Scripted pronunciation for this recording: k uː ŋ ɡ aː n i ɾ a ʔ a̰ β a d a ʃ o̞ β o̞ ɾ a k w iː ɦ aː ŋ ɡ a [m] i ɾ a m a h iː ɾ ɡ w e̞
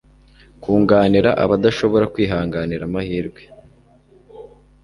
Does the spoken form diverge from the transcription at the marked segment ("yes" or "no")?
yes